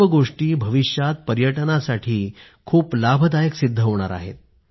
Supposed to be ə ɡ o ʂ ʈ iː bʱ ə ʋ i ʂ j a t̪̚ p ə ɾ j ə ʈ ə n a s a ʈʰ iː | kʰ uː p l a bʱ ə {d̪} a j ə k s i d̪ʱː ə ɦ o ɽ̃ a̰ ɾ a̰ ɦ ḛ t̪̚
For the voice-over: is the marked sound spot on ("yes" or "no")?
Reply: yes